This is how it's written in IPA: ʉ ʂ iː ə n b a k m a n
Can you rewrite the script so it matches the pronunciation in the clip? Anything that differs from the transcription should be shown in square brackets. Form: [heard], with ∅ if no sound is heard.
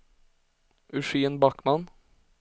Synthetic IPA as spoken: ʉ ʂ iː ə n b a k m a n

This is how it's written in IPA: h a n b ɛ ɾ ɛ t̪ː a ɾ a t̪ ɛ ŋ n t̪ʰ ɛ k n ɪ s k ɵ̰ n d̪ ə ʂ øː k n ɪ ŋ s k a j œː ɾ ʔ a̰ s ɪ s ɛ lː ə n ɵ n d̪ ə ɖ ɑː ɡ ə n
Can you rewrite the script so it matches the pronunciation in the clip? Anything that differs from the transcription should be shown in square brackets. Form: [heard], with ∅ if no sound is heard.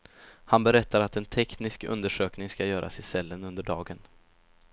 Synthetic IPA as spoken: h a n b ɛ ɾ ɛ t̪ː a ɾ a t̪ ɛ [∅] n t̪ʰ ɛ k n ɪ s k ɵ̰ n d̪ ə ʂ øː k n ɪ ŋ s k a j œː ɾ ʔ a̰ s ɪ s ɛ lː ə n ɵ n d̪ ə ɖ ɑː ɡ ə n

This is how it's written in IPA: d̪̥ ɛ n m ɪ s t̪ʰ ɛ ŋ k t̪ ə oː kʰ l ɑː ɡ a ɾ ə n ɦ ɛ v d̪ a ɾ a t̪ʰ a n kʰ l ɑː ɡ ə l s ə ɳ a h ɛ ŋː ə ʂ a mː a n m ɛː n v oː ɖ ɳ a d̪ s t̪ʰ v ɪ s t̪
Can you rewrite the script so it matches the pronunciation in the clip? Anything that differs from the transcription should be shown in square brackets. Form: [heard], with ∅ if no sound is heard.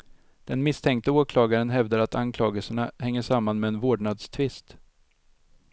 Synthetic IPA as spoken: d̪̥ ɛ n m ɪ s t̪ʰ ɛ ŋ k t̪ ə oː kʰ l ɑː ɡ a ɾ ə n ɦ ɛ v d̪ a ɾ a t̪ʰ a n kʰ l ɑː ɡ ə l s ə ɳ a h ɛ ŋː ə ʂ a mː a n m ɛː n v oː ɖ ɳ a d̪ s t̪ʰ v ɪ s t̪

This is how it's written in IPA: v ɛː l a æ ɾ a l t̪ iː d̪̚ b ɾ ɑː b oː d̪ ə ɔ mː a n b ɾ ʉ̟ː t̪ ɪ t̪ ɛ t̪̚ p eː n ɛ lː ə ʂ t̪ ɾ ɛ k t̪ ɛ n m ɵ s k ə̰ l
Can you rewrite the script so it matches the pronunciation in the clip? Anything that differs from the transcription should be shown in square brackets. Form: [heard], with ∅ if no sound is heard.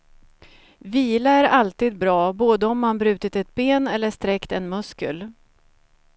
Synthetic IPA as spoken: v [iː] l a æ ɾ a l t̪ iː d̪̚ b ɾ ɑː b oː d̪ ə ɔ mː a n b ɾ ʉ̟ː t̪ ɪ t̪ ɛ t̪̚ [b] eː n ɛ lː ə ʂ t̪ ɾ ɛ k t̪ ɛ n m ɵ s k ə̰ l

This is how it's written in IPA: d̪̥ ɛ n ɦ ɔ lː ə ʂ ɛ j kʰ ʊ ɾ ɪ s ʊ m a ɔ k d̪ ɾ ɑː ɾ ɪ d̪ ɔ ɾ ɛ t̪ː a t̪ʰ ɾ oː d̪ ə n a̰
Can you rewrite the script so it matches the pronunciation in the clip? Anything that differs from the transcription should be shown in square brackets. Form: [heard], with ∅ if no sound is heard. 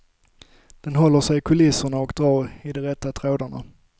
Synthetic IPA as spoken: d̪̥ ɛ n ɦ ɔ lː ə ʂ ɛ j kʰ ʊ [l] ɪ s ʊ [ɳ] a ɔ k d̪ ɾ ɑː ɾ ɪ d̪ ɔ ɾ ɛ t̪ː a t̪ʰ ɾ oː d̪ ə [ɳ] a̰

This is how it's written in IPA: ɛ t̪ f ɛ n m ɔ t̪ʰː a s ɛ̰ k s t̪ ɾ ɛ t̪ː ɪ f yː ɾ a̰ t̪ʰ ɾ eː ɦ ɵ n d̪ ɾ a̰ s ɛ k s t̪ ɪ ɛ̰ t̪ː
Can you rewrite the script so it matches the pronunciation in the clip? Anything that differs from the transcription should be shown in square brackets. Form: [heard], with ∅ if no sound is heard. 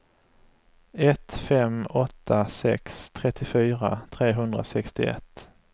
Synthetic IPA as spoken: ɛ t̪ f ɛ [∅] m ɔ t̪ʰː a s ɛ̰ k s [t̪ʰ] ɾ ɛ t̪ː ɪ f yː ɾ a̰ t̪ʰ ɾ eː ɦ ɵ n d̪ ɾ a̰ s ɛ k s t̪ ɪ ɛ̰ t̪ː

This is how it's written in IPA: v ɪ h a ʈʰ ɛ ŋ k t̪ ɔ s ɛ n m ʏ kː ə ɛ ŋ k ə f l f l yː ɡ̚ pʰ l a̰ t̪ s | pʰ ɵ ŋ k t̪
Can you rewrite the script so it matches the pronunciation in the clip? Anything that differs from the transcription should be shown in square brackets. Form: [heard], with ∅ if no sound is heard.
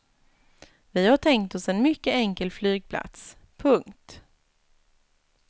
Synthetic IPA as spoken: v ɪ h a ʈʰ ɛ ŋ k t̪ ɔ s ɛ n m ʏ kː ə ɛ ŋ k ə [∅] l f l yː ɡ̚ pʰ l a̰ t̪ s | pʰ ɵ ŋ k t̪

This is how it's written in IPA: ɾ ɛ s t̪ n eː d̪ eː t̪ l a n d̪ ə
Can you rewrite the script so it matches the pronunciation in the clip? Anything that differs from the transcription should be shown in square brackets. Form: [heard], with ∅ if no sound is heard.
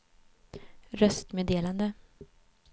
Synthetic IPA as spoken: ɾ [œ] s t̪ [m] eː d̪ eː [∅] l a n d̪ ə

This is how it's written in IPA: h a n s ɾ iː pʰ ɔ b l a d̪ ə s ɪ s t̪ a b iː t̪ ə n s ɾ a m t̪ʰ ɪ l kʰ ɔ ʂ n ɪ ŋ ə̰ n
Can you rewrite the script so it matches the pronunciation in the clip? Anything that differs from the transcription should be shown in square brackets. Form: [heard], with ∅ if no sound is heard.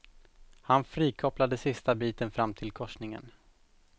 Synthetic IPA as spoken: h a n [f] ɾ iː [kʰ] ɔ [p] l a d̪ ə s ɪ s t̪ a b iː t̪ ə n [f] ɾ a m t̪ʰ ɪ l kʰ ɔ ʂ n ɪ ŋ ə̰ n

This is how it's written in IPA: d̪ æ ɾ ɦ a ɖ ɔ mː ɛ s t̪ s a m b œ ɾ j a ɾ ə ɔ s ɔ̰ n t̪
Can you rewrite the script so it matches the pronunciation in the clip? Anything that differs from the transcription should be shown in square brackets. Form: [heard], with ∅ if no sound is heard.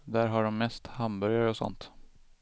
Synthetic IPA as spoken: d̪ æ ɾ ɦ a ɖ ɔ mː ɛ s t̪ [h] a m b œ ɾ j a ɾ ə ɔ s ɔ̰ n t̪

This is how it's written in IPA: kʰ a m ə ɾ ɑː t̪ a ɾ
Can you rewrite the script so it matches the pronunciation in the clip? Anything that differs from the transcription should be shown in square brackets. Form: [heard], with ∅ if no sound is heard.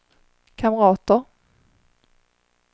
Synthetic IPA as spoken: kʰ a m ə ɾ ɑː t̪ [ə] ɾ

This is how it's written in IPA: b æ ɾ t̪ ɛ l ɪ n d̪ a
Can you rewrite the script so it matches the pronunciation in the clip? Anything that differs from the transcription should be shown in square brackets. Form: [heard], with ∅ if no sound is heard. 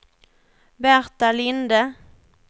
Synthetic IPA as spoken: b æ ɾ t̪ [a] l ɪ n d̪ [ə]

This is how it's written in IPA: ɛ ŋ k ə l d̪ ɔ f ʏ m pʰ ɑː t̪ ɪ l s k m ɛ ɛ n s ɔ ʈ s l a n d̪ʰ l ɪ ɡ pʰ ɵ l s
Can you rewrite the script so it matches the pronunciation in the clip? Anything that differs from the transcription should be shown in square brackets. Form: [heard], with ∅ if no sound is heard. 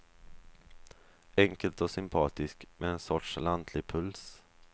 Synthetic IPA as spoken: ɛ ŋ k ə l [t̪] ɔ [s] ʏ m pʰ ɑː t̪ ɪ [∅] s k m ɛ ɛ n s ɔ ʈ [ʂ] l a n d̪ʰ l ɪ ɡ pʰ ɵ l s

